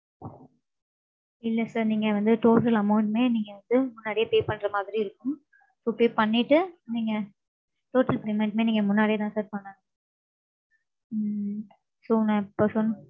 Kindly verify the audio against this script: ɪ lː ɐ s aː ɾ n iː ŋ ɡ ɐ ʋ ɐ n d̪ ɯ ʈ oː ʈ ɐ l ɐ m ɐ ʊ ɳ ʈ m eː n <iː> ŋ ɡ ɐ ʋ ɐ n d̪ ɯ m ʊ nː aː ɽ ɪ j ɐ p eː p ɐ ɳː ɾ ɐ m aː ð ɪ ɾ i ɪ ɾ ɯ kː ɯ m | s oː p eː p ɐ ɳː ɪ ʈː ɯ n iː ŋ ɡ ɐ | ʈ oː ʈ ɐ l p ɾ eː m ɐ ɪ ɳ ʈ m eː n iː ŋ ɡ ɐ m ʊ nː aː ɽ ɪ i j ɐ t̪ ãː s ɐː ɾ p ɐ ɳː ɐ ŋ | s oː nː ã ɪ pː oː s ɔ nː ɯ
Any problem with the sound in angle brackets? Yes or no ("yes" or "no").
no